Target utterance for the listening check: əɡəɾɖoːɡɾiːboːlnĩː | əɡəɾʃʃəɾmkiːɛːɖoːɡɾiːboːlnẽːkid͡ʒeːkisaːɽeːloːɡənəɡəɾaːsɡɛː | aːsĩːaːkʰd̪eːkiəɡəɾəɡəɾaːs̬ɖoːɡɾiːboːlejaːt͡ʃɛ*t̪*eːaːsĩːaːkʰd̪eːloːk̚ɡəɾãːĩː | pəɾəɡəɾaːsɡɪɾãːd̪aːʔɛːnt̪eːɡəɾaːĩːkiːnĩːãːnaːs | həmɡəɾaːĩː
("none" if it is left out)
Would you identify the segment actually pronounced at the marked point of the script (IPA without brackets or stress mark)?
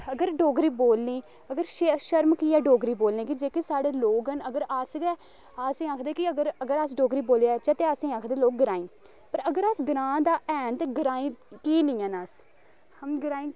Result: t̪